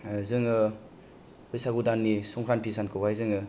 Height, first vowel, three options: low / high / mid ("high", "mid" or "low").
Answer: high